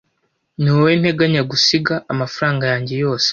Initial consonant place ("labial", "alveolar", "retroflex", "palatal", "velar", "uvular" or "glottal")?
alveolar